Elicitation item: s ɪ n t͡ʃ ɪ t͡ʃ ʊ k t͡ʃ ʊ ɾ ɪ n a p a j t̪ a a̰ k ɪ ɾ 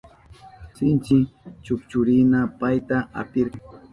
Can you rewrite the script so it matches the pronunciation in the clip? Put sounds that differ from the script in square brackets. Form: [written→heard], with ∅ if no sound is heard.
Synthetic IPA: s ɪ n t͡ʃ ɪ t͡ʃ ʊ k t͡ʃ ʊ ɾ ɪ n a p a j t̪ a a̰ [k→p] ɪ ɾ